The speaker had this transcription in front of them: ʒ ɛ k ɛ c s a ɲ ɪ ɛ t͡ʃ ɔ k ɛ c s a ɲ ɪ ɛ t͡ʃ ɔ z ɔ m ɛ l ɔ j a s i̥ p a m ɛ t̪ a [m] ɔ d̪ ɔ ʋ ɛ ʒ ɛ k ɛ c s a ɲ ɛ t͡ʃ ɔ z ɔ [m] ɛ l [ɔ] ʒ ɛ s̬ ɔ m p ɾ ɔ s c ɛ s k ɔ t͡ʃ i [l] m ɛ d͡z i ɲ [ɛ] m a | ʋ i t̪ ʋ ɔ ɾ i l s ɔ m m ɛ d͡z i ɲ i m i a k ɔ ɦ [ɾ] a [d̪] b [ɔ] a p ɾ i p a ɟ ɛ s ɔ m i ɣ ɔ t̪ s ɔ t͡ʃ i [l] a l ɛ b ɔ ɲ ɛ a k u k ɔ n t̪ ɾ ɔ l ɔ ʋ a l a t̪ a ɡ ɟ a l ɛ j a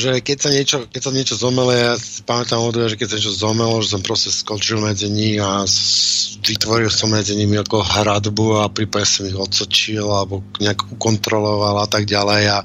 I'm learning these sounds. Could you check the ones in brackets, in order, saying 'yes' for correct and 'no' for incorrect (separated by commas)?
yes, yes, yes, yes, no, yes, yes, no, yes